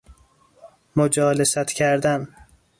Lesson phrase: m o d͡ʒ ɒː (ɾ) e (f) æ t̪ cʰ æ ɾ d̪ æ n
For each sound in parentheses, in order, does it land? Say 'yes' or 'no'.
no, no

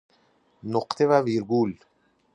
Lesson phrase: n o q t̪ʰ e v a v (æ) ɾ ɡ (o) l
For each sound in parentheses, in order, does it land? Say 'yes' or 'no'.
no, no

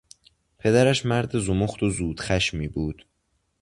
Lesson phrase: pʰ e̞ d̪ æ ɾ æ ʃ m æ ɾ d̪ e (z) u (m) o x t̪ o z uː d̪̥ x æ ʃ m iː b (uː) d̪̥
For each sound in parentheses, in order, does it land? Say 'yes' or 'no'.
yes, yes, yes

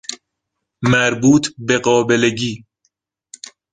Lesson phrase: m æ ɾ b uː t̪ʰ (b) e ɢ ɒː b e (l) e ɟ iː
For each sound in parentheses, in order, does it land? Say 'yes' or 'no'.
yes, yes

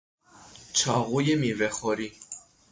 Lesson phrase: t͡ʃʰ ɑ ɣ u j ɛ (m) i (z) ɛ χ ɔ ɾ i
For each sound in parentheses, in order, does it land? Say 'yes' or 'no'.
yes, no

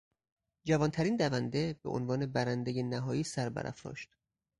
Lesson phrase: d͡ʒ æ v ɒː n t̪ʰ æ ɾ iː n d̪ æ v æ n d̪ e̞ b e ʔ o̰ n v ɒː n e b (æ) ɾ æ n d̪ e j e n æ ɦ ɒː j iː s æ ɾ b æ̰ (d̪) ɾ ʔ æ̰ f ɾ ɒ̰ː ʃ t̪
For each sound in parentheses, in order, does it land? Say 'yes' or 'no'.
yes, no

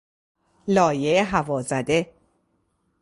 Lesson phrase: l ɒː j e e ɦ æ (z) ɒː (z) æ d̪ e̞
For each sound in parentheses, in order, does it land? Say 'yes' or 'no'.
no, yes

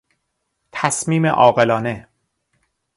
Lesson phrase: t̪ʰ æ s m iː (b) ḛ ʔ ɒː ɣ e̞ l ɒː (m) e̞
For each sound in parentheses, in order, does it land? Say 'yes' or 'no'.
no, no

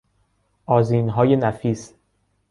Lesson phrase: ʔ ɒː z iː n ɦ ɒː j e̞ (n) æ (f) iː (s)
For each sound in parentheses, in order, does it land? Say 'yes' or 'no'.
yes, yes, yes

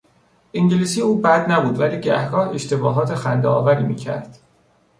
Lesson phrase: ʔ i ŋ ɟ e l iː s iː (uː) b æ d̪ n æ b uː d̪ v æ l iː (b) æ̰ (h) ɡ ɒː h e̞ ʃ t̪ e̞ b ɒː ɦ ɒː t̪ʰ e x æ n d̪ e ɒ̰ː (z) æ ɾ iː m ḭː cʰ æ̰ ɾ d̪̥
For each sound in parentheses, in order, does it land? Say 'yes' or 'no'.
yes, no, yes, no

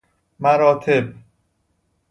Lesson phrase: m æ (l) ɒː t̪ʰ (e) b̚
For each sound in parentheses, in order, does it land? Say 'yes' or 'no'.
no, yes

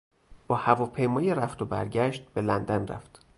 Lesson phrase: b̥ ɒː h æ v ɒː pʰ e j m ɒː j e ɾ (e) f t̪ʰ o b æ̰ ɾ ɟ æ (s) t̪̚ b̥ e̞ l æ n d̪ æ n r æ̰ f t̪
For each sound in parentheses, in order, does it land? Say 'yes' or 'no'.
no, no

